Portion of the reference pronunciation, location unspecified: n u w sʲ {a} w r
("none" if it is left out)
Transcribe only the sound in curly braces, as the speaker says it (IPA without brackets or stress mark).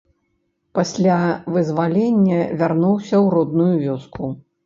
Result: ɐ